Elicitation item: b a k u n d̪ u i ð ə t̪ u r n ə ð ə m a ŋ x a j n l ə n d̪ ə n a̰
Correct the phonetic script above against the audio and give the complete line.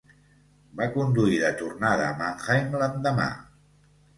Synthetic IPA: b a k u n d̪ u i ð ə t̪ u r n a ð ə m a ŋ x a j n l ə n d̪ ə m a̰

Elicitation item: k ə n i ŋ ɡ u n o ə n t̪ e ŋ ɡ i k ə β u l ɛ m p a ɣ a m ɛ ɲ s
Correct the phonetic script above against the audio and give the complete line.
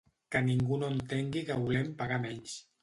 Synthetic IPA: k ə n i ŋ ɡ u n o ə n t̪ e ŋ ɡ i k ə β u l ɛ m p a ɣ a m ɛ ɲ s

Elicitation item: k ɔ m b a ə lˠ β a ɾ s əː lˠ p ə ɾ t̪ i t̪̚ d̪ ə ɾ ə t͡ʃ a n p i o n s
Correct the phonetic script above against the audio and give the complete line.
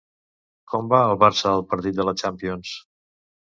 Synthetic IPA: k ɔ m b a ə lˠ β a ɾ s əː lˠ p ə ɾ t̪ i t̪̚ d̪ ə l ə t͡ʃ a m p i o n s

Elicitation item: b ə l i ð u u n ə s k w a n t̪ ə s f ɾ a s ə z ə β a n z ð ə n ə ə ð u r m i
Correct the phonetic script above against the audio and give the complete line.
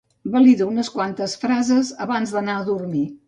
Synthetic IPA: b ə l i ð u u n ə s k w a n t̪ ə s f ɾ a z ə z ə β a n z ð ə n a ə ð u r m i

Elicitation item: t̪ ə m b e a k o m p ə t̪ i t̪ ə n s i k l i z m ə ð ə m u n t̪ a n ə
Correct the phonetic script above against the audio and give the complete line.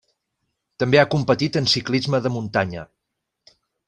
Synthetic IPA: t̪ ə m b e a k u m p ə t̪ i t̪ ə n s i k l i z m ə ð ə m u n t̪ a ɲ ə

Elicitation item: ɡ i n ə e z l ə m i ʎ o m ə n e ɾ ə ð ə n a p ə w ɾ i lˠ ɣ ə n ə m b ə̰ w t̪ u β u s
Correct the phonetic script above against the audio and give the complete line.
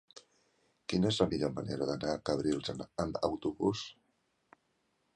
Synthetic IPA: k i n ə e z l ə m i ʎ o m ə n e ɾ ə ð ə n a k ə β ɾ i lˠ z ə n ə m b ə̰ w t̪ u β u s

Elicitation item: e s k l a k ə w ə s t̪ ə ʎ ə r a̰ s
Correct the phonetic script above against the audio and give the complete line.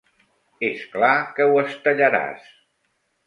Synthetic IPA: e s k l a k ə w ə s t̪ ə ʎ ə ɾ a̰ s

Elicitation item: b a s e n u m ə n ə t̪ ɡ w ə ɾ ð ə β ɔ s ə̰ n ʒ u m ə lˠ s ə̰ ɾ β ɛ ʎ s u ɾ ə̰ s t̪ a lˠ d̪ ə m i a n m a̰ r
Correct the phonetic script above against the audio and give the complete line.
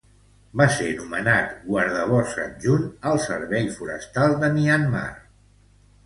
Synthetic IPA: b a s e n u m ə n a t̪ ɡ w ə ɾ ð ə β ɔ s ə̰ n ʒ u n ə lˠ s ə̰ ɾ β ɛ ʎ f u ɾ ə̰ s t̪ a lˠ d̪ ə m i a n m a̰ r

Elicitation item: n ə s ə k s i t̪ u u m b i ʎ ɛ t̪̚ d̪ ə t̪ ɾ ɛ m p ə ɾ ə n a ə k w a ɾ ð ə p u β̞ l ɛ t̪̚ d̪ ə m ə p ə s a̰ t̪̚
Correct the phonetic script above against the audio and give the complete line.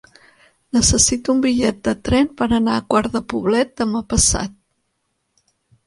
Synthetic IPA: n ə s ə s i t̪ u u m b i ʎ ɛ t̪̚ d̪ ə t̪ ɾ ɛ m p ə ɾ ə n a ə k w a ɾ ð ə p u β̞ l ɛ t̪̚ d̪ ə m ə p ə s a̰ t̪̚

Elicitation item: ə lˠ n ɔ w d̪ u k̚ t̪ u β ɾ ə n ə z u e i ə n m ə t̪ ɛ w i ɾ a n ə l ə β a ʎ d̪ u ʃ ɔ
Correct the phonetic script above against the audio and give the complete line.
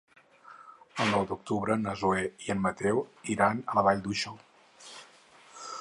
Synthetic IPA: ə lˠ n ɔ w d̪ u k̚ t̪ u β ɾ ə n ə z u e i ə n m ə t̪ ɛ w i ɾ a n ə l ə β a ʎ d̪ u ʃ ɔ

